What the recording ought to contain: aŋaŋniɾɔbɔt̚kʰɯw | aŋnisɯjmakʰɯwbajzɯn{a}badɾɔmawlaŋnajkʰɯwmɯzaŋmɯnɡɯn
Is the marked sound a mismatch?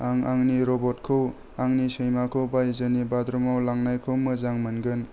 yes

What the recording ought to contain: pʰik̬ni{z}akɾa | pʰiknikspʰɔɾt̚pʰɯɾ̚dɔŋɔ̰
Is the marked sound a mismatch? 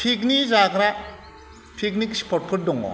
no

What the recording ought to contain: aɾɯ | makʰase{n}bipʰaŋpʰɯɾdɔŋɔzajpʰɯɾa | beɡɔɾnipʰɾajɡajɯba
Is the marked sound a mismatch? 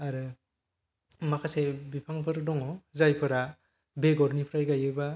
yes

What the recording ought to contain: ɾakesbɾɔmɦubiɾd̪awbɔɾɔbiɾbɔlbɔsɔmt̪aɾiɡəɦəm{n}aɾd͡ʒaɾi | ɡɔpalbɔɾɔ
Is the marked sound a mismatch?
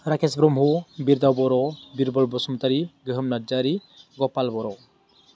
no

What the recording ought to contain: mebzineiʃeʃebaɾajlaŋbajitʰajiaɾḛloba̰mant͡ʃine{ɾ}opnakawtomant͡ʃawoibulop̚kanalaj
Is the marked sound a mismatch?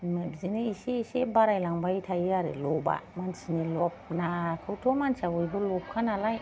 yes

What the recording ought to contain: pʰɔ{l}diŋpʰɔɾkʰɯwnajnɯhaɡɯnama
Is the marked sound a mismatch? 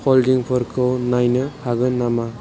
no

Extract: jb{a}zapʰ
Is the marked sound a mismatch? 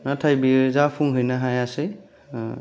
yes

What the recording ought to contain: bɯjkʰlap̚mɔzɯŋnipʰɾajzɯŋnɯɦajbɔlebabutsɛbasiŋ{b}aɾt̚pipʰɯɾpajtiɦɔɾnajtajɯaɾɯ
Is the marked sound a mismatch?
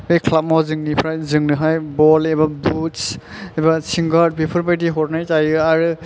yes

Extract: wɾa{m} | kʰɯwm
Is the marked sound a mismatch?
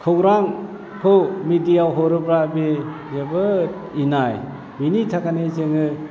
yes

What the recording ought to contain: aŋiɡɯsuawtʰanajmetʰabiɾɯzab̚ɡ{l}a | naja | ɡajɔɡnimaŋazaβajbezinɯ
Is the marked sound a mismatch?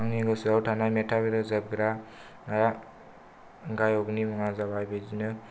yes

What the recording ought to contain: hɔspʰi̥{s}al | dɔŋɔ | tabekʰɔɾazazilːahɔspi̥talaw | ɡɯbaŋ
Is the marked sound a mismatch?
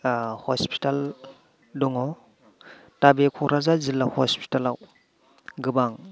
yes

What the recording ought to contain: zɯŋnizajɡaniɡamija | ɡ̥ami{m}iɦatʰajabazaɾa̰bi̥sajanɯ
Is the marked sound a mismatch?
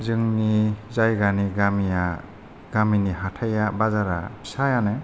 yes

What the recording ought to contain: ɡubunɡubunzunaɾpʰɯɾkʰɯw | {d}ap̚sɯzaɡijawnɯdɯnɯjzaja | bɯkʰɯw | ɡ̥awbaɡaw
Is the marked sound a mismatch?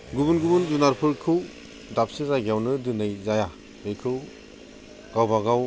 no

